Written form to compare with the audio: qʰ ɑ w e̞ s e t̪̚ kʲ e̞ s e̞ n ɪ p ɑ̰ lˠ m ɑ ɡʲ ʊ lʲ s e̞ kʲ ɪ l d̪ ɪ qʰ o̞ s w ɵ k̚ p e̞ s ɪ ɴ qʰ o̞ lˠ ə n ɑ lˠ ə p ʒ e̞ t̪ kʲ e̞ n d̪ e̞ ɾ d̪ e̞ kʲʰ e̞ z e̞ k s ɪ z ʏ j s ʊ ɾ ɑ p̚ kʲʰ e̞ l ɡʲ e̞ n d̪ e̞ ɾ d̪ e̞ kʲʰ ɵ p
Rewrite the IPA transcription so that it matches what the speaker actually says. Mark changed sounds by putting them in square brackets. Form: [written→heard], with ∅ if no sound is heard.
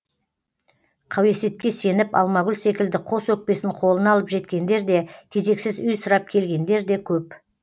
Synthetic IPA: qʰ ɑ w e̞ s e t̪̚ kʲ e̞ s e̞ n ɪ p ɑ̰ lˠ m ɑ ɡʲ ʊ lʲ s e̞ kʲ ɪ l d̪ ɪ qʰ o̞ s w ɵ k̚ p e̞ s ɪ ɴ qʰ o̞ lˠ ə n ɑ lˠ ə p ʒ e̞ t̪ kʲ e̞ n d̪ e̞ ɾ d̪ e̞ kʲʰ e̞ z e̞ k s ɪ z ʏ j s ʊ ɾ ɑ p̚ kʲʰ e̞ l ɡʲ e̞ n d̪ e̞ ɾ d̪ e̞ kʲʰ ɵ p